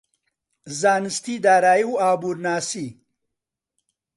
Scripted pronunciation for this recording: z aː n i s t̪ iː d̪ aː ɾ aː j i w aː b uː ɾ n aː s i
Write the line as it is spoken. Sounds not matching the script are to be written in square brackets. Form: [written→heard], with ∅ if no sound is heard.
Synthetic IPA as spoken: z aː n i s t̪ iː d̪ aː ɾ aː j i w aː b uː ɾ n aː s i